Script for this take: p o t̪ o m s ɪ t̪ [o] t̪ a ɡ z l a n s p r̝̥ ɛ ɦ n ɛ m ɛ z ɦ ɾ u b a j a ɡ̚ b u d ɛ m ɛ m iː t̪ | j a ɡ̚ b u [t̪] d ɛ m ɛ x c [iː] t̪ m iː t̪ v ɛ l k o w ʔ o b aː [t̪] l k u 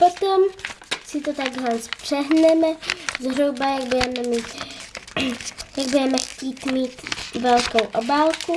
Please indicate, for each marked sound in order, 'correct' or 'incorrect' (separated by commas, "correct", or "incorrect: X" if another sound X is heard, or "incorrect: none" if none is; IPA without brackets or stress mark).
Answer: correct, incorrect: none, correct, incorrect: none